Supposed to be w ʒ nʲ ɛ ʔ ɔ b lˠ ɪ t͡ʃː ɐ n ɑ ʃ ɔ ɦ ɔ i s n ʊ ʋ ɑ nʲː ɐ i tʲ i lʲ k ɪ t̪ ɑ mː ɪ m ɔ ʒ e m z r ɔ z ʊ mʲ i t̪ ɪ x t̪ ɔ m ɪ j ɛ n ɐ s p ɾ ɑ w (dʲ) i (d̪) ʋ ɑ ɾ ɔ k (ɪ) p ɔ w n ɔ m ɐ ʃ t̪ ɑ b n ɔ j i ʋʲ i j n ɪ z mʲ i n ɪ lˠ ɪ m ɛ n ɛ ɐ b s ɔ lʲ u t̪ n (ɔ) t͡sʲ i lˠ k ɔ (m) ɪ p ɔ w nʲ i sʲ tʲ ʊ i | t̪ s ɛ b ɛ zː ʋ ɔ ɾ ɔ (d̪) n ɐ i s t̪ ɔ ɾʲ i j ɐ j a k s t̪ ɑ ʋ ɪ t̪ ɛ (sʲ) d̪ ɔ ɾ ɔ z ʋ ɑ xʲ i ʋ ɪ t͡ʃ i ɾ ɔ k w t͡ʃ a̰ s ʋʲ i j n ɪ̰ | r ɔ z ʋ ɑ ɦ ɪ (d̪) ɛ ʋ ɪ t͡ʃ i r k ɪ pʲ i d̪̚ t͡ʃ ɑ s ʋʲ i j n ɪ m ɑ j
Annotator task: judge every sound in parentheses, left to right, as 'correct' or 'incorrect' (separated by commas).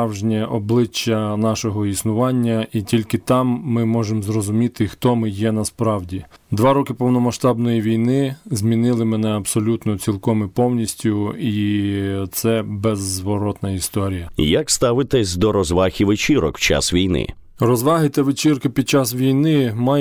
correct, correct, correct, correct, correct, incorrect, correct, incorrect